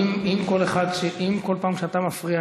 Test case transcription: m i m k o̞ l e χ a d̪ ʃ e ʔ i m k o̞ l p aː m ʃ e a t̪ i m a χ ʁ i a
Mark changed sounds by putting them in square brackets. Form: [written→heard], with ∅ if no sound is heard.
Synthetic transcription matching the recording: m i m k o̞ l e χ a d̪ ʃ e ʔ i m k o̞ l p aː m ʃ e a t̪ [i→a] m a [χ→f] ʁ i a